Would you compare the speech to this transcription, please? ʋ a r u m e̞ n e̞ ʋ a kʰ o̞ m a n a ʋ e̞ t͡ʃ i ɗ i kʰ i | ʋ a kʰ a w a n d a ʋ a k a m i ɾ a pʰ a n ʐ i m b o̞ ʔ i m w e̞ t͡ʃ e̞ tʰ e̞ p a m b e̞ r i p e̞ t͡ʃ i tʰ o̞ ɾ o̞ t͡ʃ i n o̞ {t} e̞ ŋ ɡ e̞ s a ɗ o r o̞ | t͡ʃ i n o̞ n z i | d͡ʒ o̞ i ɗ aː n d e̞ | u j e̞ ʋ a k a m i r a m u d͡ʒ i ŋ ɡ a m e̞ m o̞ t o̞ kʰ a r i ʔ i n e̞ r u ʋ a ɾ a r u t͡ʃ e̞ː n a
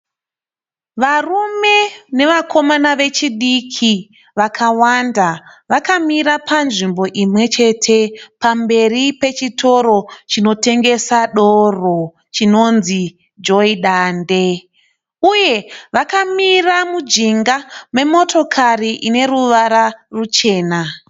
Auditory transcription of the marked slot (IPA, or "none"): t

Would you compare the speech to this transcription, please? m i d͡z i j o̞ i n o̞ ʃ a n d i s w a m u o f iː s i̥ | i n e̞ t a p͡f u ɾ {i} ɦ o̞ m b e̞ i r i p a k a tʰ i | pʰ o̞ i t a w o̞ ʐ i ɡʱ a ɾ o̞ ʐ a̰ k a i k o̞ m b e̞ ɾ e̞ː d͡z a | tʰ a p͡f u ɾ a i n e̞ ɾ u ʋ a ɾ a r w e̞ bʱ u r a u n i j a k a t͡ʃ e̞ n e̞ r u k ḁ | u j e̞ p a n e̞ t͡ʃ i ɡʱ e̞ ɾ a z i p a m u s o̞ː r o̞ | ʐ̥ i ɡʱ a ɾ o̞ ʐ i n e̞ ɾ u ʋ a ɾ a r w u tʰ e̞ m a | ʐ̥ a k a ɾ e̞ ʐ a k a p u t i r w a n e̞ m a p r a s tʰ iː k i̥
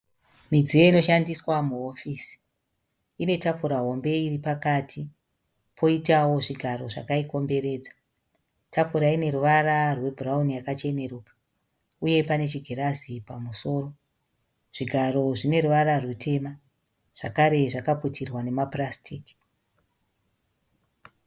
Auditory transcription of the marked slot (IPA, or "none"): a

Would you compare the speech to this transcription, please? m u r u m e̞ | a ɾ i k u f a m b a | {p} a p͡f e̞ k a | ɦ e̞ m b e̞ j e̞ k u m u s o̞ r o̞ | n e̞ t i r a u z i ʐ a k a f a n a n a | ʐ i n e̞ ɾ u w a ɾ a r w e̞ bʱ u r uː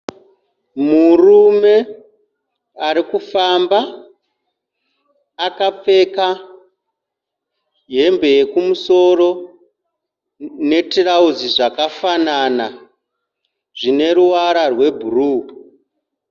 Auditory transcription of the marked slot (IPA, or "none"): k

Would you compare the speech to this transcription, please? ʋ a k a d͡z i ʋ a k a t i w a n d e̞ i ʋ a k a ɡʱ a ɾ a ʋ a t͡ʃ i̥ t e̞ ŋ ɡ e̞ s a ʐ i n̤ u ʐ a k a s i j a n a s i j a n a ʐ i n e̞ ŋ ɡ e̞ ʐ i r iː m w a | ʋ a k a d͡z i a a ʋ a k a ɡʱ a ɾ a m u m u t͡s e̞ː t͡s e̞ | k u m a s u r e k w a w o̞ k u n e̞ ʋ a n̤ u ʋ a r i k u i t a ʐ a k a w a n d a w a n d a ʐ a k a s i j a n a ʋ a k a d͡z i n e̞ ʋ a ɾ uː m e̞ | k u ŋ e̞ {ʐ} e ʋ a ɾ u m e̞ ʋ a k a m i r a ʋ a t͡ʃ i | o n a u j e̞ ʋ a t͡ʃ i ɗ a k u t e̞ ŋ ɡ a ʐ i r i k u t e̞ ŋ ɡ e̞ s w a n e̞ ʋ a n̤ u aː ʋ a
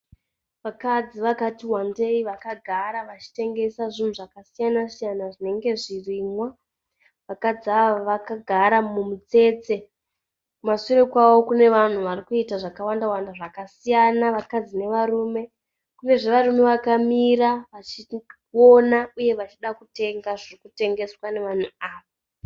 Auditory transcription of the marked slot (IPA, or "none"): ʐ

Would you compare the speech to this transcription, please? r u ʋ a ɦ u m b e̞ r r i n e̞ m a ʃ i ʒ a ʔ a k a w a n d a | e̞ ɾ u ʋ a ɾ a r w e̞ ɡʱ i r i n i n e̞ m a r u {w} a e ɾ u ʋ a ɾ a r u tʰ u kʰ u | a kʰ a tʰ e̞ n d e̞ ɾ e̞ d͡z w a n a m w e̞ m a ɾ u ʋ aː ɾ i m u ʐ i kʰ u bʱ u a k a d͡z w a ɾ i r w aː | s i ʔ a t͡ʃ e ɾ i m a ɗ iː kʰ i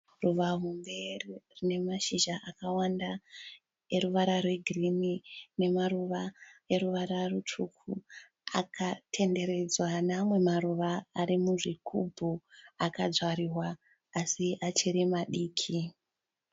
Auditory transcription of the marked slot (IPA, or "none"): ʋ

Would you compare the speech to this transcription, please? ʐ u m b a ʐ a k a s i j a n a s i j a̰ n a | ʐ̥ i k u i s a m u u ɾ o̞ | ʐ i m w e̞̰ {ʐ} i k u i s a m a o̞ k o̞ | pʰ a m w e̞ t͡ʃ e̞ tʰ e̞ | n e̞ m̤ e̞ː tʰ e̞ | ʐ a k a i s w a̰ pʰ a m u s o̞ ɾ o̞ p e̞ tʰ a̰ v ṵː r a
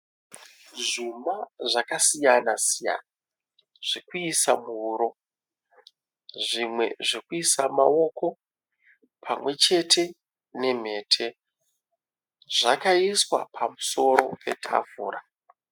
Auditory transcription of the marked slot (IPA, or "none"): ʐ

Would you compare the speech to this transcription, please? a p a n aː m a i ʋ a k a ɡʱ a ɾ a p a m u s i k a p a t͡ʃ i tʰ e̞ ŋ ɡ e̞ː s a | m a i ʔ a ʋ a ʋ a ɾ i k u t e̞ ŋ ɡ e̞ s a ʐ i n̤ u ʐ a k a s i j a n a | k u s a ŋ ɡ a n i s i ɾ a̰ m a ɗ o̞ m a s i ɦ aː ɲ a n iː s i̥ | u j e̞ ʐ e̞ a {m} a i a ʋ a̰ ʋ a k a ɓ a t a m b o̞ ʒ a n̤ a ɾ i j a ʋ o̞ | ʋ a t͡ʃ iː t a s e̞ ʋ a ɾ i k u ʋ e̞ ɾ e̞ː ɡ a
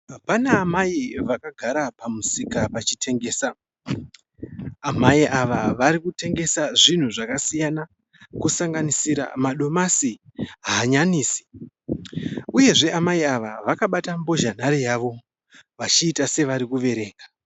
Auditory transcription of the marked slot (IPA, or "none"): m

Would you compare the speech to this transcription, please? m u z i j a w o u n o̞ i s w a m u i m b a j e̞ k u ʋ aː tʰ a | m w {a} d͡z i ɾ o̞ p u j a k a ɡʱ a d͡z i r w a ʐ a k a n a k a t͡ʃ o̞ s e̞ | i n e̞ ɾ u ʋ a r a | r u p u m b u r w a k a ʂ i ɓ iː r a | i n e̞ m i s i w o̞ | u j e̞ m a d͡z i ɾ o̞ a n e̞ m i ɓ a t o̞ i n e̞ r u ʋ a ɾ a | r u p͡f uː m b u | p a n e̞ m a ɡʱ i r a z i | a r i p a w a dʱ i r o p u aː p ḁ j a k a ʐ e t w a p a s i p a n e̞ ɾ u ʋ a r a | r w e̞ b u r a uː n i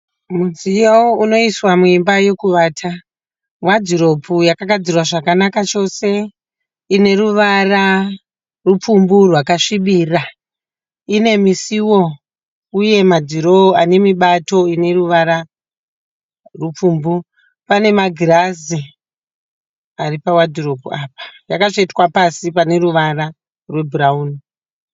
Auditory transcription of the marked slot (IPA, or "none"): a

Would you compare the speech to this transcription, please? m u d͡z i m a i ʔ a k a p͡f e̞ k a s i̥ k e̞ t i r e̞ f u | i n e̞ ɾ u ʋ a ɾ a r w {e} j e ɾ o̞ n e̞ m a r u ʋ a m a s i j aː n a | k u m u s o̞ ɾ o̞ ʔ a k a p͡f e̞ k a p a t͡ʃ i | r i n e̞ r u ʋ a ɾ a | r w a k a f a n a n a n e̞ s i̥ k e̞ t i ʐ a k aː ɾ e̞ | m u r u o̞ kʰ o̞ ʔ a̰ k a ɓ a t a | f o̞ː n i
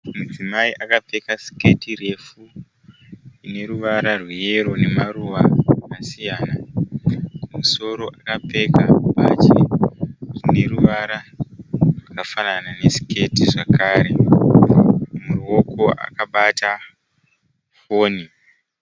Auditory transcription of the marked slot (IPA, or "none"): i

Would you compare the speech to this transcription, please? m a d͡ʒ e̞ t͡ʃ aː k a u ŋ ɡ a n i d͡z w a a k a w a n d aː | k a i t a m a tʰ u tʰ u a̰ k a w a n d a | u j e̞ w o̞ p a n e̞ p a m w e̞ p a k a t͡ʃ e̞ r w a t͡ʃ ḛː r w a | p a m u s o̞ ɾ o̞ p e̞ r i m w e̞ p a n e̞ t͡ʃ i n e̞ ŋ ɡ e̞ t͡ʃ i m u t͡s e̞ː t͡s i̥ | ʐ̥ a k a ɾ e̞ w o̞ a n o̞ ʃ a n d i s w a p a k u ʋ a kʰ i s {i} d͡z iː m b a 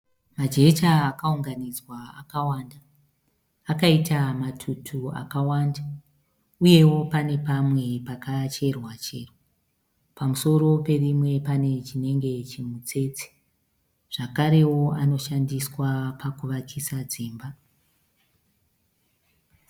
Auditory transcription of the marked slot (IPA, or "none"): a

